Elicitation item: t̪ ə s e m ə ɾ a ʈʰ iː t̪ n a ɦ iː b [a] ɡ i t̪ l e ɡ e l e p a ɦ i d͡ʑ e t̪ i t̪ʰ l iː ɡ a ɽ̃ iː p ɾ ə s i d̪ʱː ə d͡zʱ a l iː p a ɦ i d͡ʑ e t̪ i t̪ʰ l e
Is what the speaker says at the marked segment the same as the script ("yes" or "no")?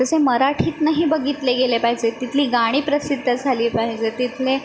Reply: no